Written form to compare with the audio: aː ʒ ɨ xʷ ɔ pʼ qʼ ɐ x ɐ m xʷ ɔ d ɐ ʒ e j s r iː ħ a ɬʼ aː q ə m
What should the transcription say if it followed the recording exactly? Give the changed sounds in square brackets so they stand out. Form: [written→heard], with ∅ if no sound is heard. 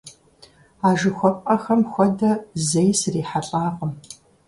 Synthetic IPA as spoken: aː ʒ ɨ xʷ ɔ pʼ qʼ ɐ x ɐ m xʷ ɔ d ɐ [ʒ→z] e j s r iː ħ a ɬʼ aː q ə m